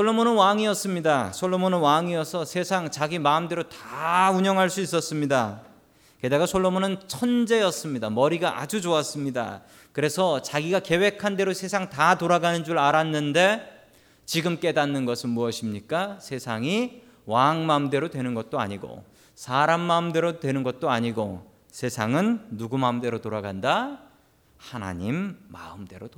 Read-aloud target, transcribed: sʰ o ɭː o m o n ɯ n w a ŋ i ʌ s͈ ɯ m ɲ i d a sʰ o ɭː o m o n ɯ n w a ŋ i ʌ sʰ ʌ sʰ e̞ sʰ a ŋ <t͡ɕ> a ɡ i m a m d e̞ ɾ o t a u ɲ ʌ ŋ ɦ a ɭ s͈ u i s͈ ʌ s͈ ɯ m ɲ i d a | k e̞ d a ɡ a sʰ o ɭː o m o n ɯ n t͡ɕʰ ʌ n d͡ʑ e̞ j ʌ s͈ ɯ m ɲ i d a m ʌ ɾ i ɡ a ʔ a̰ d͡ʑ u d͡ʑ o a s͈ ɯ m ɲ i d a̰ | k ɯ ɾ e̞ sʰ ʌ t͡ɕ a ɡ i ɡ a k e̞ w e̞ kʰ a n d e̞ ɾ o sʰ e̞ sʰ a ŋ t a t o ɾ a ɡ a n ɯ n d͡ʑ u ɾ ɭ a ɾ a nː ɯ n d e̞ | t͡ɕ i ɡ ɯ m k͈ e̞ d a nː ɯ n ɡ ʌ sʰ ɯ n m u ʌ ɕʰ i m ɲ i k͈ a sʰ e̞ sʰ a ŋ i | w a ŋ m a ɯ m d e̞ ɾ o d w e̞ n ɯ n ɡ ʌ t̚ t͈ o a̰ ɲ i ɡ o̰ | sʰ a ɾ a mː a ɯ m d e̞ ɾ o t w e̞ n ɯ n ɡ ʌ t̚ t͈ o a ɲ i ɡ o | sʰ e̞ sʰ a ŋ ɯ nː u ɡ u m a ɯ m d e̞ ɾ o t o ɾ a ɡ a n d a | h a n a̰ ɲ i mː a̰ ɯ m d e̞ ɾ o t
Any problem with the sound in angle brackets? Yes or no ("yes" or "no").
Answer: no